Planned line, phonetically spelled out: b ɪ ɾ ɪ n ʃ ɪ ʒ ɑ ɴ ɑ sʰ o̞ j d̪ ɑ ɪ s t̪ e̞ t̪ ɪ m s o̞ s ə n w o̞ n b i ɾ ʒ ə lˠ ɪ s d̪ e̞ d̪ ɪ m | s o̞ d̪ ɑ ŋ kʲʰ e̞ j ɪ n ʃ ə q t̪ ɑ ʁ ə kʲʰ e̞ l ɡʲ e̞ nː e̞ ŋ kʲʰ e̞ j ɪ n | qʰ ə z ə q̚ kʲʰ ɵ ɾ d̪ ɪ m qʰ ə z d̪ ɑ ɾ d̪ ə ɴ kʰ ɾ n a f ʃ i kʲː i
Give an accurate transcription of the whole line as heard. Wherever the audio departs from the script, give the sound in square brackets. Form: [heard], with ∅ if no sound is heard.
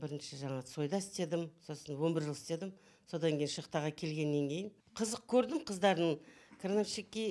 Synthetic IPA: b ɪ ɾ ɪ n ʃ ɪ ʒ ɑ ɴ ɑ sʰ o̞ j d̪ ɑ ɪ s t̪ e̞ [d̪] ɪ m s o̞ s ə n w o̞ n b [ɪ] ɾ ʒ ə lˠ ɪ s [t̪] e̞ d̪ ɪ m | s o̞ d̪ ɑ ŋ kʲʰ e̞ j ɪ n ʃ ə q t̪ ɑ ʁ [ɑ] kʲʰ e̞ l ɡʲ e̞ nː e̞ ŋ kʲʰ e̞ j ɪ n | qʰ ə z ə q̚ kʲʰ ɵ ɾ d̪ ɪ m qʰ ə z d̪ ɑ ɾ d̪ ə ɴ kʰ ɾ n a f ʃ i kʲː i